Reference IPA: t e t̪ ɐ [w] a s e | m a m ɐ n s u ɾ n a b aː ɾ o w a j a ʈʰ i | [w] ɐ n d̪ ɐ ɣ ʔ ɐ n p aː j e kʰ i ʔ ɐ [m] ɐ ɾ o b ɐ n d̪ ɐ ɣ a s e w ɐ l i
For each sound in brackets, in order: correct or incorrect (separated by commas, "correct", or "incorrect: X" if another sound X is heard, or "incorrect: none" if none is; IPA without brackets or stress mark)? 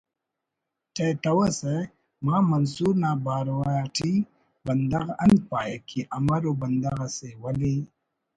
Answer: correct, incorrect: b, correct